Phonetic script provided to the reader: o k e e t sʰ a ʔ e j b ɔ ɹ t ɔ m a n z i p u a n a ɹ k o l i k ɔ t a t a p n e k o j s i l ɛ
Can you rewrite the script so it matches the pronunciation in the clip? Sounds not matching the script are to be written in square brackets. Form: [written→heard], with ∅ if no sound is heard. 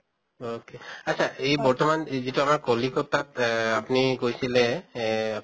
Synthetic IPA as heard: o k e [e→a] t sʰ a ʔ e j b ɔ ɹ t ɔ m a n z i [p→t] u a [n→m] a ɹ k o l i k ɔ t a t a p n [e→i] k o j s i l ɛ